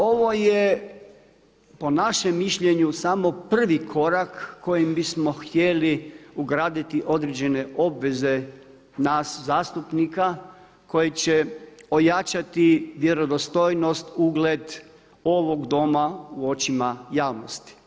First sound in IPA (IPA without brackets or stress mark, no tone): o̞